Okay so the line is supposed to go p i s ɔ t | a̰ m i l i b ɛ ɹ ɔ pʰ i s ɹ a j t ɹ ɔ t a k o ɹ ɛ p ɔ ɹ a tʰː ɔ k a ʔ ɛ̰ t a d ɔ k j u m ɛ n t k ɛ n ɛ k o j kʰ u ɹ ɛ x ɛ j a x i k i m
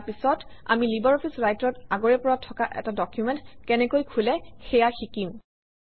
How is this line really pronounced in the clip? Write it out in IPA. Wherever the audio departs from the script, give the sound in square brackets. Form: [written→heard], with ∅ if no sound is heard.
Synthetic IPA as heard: p i s ɔ t | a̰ m i l i b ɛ ɹ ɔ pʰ i s ɹ a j t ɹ ɔ t a [k→ɡ] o ɹ ɛ p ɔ ɹ a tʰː ɔ k a ʔ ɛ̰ t a d ɔ k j u m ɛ n t k ɛ n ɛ k o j kʰ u [ɹ→l] ɛ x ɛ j a x i k i m